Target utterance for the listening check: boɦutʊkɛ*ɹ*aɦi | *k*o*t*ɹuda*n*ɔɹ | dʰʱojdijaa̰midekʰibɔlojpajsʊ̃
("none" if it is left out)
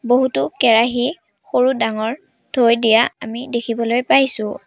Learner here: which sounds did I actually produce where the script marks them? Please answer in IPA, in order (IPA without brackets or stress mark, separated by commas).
ɹ, x, none, ŋ